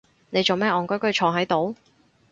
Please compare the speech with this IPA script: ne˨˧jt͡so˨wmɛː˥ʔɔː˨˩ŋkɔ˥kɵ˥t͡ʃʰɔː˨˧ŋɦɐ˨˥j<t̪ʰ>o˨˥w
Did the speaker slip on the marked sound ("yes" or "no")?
yes